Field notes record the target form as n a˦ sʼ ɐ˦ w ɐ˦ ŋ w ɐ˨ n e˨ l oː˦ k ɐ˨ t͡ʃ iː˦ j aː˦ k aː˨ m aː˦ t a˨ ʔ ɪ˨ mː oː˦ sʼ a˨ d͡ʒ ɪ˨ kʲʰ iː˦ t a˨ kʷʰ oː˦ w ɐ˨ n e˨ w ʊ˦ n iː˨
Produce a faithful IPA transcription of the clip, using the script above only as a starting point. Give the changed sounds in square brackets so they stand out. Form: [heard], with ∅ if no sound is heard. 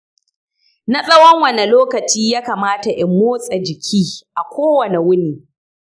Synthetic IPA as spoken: n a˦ sʼ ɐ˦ w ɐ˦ ŋ w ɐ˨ n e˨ l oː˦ k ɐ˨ t͡ʃ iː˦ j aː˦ k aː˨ m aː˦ t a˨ ʔ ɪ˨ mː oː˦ sʼ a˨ d͡ʒ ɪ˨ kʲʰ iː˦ [ʔ] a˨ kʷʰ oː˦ w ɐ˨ n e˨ w ʊ˦ n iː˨